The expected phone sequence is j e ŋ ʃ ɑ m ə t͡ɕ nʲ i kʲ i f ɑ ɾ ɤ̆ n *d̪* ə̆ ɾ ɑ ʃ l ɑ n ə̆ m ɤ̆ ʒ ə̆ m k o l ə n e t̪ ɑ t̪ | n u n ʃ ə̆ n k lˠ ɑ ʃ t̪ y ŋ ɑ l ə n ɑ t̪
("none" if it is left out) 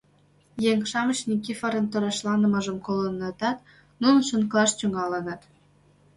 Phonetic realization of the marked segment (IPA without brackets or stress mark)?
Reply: t̪